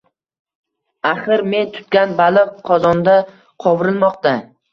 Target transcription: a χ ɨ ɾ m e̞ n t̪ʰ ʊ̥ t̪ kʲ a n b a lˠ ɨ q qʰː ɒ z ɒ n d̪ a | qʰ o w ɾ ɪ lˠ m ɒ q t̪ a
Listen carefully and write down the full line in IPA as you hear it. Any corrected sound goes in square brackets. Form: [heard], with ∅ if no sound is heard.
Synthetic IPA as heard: a χ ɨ ɾ m e̞ n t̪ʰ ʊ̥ t̪ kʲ a n b a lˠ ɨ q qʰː ɒ z ɒ n d̪ a | qʰ [ɒ] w ɾ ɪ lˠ m ɒ q t̪ a